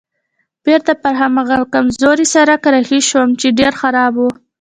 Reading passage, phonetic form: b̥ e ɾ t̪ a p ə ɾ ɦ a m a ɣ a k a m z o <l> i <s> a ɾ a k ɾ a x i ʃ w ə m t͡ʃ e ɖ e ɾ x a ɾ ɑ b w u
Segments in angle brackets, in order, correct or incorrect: incorrect, correct

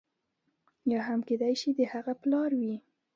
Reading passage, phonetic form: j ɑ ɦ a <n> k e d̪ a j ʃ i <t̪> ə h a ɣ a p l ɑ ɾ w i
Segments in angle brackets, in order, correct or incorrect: incorrect, incorrect

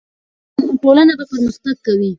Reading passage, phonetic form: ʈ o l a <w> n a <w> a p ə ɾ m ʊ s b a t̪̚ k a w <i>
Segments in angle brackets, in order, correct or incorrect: incorrect, incorrect, correct

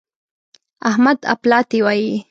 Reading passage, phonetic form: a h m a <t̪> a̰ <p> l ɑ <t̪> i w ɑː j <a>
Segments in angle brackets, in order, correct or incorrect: incorrect, correct, correct, incorrect

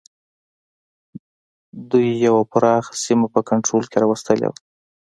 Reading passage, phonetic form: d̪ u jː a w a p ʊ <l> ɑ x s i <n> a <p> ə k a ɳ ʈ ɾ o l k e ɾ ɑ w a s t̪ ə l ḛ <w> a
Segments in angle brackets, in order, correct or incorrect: incorrect, incorrect, correct, correct

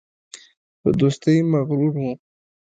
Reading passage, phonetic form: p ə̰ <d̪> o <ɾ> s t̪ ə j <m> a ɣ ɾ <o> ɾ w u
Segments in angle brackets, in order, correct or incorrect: correct, incorrect, correct, incorrect

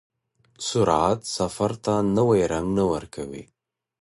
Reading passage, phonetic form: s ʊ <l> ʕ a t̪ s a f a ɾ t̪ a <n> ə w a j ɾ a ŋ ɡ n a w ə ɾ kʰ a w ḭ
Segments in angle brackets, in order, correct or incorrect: incorrect, correct

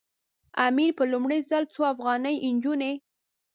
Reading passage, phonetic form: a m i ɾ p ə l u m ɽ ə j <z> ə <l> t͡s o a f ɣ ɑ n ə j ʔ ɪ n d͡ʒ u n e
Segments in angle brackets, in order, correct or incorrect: correct, correct

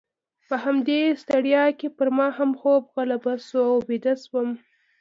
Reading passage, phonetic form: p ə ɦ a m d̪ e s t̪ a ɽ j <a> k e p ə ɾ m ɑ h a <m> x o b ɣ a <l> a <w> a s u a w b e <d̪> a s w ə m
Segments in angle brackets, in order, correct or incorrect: incorrect, correct, correct, incorrect, correct

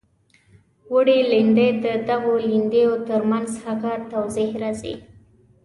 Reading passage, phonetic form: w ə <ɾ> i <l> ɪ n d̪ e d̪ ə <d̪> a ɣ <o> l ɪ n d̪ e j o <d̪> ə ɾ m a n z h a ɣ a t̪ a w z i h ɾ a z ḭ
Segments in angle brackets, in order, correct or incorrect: incorrect, correct, correct, correct, incorrect

